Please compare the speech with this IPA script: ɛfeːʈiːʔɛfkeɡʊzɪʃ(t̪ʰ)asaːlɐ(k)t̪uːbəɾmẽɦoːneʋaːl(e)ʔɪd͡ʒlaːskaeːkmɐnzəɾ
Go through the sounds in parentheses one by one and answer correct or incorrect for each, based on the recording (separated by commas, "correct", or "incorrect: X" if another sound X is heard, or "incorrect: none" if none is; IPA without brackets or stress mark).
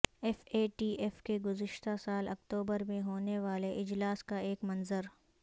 incorrect: t̪, correct, correct